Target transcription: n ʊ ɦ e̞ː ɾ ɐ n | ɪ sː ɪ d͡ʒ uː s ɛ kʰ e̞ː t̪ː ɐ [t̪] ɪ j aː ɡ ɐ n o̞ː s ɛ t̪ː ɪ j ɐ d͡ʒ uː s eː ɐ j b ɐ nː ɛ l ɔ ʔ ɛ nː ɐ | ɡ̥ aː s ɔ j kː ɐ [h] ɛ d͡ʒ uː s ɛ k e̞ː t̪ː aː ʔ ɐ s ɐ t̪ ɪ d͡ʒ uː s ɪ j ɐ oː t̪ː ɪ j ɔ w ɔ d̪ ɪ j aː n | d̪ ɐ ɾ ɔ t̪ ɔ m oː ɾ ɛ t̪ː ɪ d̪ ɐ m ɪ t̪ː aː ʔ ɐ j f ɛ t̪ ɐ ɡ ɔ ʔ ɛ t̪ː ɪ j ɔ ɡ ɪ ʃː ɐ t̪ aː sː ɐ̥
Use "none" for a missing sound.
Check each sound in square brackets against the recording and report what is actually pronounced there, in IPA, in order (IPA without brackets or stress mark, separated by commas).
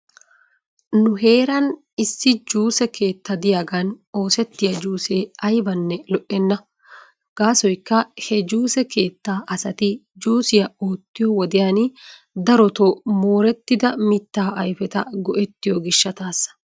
d̪, h